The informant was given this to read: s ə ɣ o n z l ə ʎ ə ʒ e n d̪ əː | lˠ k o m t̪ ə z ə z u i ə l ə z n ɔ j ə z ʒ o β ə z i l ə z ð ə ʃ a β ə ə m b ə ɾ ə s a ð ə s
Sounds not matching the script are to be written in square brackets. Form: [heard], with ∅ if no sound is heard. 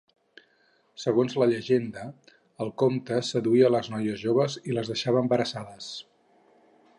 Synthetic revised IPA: s ə ɣ o n z l ə ʎ ə ʒ e n d̪ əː | lˠ k o m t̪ ə [s] ə [ð] u i ə l ə z n ɔ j ə z ʒ o β ə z i l ə z ð ə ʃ a β ə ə m b ə ɾ ə s a ð ə s